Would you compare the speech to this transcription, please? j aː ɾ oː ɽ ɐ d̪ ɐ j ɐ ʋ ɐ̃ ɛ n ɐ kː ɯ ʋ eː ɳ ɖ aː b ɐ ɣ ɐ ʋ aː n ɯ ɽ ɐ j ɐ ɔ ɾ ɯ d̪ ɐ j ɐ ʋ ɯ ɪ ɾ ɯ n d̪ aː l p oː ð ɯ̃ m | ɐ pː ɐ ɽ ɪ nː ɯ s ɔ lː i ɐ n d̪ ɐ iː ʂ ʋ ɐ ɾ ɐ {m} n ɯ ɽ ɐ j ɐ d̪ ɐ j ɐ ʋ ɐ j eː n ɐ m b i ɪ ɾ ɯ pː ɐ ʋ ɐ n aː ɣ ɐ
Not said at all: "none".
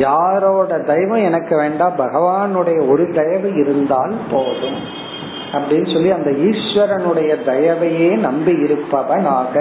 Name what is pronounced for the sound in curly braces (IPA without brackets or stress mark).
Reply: none